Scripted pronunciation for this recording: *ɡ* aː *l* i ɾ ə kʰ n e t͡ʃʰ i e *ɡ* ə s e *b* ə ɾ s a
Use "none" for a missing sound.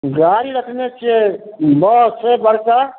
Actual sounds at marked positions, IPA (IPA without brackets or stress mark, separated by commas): ɡ, ɾ, b, b